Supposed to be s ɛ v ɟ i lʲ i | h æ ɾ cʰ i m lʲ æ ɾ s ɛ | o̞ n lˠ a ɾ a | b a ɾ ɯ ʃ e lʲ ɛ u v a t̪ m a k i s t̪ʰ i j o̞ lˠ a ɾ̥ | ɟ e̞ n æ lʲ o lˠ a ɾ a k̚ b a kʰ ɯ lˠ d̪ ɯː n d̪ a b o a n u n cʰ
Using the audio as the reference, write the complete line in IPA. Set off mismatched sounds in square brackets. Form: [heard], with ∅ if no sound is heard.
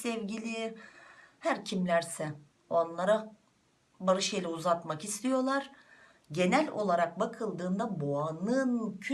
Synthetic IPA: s ɛ v ɟ i lʲ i | h æ ɾ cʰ i m lʲ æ ɾ s ɛ | o̞ n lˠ a ɾ a | b a ɾ ɯ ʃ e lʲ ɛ u [z] a t̪ m a k i s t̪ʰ i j o̞ lˠ a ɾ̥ | ɟ e̞ n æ lʲ o lˠ a ɾ a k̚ b a kʰ ɯ lˠ d̪ ɯː n d̪ a b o a n [ɯ] n cʰ